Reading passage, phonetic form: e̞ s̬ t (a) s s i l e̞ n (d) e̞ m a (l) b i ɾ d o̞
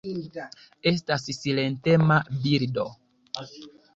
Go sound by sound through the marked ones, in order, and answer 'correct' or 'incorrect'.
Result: correct, incorrect: t, incorrect: none

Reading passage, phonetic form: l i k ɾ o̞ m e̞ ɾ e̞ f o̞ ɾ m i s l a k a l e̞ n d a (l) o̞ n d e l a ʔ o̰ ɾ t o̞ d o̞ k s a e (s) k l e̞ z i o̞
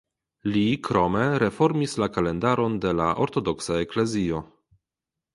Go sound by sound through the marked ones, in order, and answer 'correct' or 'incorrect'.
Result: incorrect: ɾ, incorrect: none

